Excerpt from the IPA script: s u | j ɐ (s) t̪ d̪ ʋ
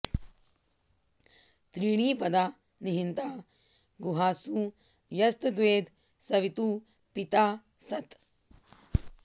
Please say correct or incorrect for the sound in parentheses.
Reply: correct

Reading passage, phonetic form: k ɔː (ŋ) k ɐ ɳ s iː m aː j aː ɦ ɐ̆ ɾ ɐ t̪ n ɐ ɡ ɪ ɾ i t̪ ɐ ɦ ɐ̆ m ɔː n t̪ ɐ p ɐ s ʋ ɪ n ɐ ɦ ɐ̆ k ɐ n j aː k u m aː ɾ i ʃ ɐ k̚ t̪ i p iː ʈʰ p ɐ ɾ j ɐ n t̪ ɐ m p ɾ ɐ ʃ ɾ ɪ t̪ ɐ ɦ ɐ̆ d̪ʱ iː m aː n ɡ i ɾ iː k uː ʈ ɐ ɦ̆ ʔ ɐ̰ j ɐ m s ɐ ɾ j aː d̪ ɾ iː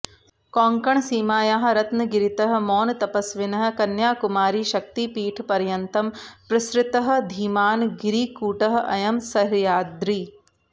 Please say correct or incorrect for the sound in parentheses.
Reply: correct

